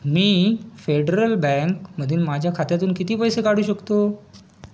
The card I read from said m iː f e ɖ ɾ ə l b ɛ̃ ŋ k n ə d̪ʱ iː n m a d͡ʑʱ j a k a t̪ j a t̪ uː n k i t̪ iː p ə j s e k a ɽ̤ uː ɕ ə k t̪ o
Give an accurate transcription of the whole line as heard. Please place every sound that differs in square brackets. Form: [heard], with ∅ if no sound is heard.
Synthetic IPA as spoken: m iː f e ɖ ɾ ə l b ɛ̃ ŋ k [m] ə d̪ʱ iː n m a d͡ʑʱ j a [kʰ] a t̪ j a t̪ uː n k i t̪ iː p ə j s e k a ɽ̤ uː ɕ ə k t̪ o